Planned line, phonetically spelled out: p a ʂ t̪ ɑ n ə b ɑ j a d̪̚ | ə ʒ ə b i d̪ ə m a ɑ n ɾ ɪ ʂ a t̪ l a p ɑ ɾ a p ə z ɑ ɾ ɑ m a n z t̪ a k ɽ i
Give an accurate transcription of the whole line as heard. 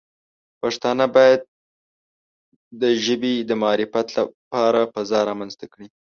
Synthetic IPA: p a ʂ t̪ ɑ n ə b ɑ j a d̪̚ | ə ʒ ə b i d̪ ə m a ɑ ɾ ɪ f a t̪ l a p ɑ ɾ a p ə z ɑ ɾ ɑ m a n z t̪ a k ɽ i